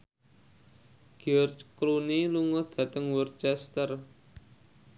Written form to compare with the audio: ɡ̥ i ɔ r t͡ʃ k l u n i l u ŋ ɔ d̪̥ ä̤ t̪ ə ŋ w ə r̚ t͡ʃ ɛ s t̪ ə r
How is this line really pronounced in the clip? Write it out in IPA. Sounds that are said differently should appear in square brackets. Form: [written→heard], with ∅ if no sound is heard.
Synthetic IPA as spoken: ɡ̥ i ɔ r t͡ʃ k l u n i l u ŋ ɔ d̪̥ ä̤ t̪ ə ŋ w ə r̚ t͡ʃ ɛ s t̪ ə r